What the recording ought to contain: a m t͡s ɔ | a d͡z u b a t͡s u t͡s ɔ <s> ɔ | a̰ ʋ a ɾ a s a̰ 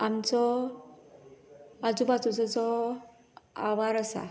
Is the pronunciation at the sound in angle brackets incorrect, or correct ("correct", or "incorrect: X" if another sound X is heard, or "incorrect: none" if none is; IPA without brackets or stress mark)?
incorrect: t͡s